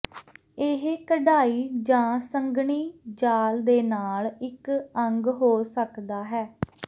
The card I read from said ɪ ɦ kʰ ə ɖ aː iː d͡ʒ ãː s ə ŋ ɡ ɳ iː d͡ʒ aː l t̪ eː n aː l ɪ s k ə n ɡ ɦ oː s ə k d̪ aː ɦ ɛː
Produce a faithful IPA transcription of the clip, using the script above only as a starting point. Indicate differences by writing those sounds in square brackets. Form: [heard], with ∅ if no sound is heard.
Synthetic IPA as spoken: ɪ ɦ [k] ə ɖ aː iː d͡ʒ ãː s ə ŋ ɡ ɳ iː d͡ʒ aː l [d̪] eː n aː l ɪ [∅] k ə [ŋ] ɡ ɦ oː s ə k d̪ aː ɦ ɛː